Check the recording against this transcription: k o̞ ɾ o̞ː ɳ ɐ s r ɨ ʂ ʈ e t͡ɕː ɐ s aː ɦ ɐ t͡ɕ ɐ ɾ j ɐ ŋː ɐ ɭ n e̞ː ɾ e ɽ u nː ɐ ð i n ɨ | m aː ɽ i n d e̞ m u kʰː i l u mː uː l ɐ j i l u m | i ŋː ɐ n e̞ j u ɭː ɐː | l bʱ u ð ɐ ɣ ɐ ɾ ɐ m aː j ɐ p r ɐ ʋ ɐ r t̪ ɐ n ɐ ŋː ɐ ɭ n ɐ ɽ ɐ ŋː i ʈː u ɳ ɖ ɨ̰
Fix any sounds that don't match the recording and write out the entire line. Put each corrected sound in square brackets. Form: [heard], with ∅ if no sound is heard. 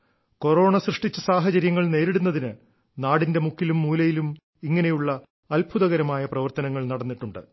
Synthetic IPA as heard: k o̞ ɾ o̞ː ɳ ɐ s r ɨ ʂ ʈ [i] t͡ɕː ɐ s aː ɦ ɐ t͡ɕ ɐ ɾ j ɐ ŋː ɐ ɭ n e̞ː ɾ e ɽ u nː ɐ ð i n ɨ | [n] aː ɽ i n d e̞ m u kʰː i l u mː uː l ɐ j i l u m | i ŋː ɐ n e̞ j u ɭː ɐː | l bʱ u ð ɐ ɣ ɐ ɾ ɐ m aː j ɐ p r ɐ ʋ ɐ r t̪ ɐ n ɐ ŋː ɐ ɭ n ɐ ɽ ɐ [nː] i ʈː u ɳ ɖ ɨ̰